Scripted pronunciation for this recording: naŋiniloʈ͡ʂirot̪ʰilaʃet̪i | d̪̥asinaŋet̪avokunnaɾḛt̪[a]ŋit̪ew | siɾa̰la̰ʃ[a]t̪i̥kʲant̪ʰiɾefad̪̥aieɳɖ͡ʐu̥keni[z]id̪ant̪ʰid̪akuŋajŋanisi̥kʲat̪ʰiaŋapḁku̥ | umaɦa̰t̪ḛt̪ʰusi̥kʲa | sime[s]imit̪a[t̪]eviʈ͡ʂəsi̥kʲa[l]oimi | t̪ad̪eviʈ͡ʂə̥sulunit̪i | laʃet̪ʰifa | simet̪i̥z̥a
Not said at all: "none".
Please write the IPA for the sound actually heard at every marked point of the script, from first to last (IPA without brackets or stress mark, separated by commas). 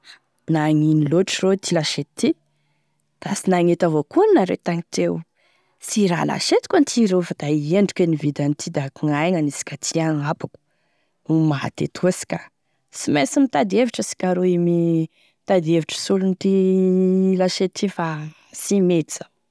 a, e, v, s, d̪, ɾ